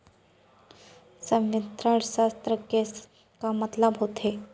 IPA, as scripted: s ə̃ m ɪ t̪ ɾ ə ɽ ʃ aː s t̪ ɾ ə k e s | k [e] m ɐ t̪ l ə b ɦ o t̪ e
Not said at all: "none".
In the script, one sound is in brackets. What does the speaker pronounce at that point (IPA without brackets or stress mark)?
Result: a